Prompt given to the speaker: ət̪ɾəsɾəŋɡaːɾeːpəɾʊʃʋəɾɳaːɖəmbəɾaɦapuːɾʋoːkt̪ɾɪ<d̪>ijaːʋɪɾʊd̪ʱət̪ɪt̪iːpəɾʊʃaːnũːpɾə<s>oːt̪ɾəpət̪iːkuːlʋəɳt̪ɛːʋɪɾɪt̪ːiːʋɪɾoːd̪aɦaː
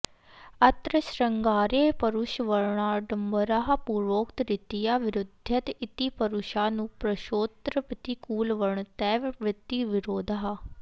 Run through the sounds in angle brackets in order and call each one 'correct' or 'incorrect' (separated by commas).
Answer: incorrect, incorrect